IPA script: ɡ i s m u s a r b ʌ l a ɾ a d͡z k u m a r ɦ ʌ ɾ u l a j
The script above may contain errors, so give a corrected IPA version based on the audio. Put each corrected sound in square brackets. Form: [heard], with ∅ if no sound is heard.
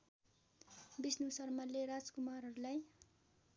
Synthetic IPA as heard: [b] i s [n] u s [ʌ] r [m] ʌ l [e] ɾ a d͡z k u m a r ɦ ʌ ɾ u l a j